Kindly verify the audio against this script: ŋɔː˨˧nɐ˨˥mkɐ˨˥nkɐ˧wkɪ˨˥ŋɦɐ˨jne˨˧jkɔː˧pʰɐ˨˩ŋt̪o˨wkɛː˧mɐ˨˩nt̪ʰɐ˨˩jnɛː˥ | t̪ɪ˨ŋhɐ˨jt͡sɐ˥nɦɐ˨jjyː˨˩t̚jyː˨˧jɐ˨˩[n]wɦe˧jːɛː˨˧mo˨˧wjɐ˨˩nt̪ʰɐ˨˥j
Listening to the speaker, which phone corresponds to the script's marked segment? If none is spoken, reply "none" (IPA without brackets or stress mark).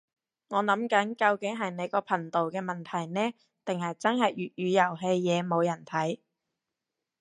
none